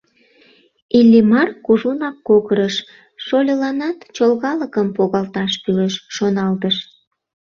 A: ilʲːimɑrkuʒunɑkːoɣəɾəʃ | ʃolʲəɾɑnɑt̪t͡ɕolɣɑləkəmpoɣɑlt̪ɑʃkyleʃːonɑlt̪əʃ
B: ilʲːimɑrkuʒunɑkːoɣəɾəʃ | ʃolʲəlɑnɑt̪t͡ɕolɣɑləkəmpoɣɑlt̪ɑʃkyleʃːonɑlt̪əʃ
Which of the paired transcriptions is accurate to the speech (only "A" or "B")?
B